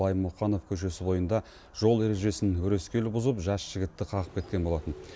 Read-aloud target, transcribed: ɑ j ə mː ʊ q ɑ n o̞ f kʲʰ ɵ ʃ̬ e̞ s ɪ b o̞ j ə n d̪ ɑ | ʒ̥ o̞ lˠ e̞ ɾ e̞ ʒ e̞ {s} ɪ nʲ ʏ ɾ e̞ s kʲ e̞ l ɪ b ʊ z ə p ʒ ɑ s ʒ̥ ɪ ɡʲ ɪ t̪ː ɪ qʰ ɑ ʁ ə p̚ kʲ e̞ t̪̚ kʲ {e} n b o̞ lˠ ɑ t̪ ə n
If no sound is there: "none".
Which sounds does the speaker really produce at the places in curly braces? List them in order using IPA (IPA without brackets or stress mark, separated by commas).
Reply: s, e